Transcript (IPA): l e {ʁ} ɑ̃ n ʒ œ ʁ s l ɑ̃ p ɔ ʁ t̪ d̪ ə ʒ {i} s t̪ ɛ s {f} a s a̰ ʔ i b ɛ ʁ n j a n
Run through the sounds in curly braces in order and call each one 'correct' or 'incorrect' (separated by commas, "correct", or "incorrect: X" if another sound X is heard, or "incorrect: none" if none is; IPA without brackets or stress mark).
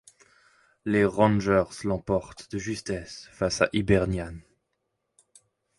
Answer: correct, incorrect: y, correct